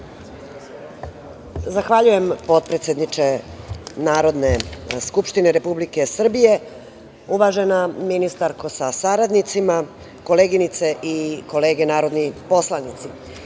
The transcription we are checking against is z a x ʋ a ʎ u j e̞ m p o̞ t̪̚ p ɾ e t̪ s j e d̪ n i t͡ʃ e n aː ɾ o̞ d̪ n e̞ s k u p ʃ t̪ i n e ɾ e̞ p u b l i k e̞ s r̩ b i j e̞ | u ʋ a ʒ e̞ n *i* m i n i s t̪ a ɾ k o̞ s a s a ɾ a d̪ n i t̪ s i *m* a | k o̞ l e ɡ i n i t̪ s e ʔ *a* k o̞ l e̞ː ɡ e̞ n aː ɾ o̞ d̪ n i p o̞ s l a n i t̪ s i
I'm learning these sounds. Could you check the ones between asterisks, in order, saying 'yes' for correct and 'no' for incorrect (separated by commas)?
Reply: no, yes, no